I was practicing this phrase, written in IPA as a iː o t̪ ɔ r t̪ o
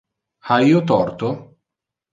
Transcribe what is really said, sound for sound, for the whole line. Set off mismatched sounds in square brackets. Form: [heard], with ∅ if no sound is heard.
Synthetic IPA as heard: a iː o t̪ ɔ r t̪ o